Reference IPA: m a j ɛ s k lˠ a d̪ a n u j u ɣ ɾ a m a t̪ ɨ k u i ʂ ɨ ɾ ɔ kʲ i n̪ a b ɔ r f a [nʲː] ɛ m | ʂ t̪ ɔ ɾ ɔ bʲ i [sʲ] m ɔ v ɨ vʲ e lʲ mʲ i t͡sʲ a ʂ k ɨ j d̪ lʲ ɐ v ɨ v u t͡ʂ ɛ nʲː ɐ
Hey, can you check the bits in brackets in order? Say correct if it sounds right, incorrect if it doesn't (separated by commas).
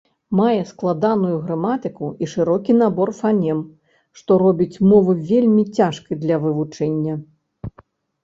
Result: incorrect, incorrect